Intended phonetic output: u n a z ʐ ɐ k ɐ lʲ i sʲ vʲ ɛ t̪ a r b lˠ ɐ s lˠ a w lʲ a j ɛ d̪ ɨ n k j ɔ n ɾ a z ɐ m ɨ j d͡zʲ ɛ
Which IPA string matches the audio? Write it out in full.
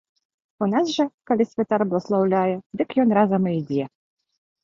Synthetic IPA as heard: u n a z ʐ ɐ k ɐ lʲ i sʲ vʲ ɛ t̪ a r b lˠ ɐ s lˠ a w lʲ a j ɛ d̪ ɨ k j ɔ n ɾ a z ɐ m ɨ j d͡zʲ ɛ